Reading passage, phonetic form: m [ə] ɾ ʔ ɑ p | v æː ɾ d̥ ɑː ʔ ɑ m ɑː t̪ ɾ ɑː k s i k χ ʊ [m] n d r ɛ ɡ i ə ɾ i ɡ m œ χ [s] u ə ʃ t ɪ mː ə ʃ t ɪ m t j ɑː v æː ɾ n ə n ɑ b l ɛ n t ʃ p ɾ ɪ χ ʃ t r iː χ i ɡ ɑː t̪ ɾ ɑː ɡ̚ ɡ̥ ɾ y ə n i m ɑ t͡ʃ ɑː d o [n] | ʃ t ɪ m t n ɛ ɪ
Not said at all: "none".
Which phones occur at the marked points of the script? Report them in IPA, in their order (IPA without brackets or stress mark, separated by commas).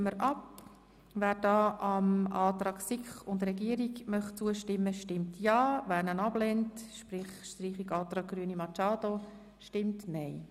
ə, none, t͡s, none